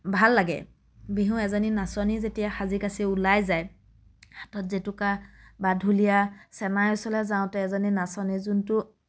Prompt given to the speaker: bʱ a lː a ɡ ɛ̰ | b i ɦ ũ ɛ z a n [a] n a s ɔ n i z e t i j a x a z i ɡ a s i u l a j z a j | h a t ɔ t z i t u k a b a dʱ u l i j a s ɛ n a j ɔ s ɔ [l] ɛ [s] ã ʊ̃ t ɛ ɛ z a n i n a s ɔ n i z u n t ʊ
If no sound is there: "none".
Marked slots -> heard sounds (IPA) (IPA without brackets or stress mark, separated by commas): i, l, z